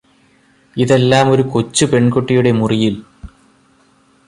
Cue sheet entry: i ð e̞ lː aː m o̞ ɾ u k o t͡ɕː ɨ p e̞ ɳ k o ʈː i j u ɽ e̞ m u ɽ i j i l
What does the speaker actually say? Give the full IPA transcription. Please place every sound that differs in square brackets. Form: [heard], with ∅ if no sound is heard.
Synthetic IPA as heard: i ð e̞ lː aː m o̞ ɾ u k o t͡ɕː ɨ p e̞ ɳ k o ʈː i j u ɽ e̞ m u [r] i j i l